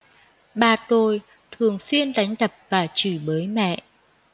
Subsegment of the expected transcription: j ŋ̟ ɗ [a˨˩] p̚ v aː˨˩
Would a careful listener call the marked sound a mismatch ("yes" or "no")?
yes